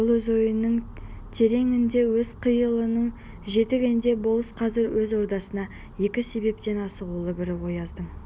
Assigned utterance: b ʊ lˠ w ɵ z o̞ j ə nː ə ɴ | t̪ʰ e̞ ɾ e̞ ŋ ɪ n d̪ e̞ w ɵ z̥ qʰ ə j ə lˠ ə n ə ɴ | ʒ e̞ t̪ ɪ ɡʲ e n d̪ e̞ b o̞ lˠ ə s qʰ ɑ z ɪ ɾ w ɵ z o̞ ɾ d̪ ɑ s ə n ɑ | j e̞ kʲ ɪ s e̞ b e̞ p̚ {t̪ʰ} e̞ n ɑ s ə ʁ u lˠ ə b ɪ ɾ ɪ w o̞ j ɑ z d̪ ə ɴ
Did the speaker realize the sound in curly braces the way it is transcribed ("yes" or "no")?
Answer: no